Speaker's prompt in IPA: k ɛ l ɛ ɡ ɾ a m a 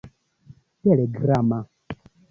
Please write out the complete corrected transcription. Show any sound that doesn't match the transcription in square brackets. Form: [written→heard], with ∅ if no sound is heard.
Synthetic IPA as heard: [k→t] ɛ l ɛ ɡ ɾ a m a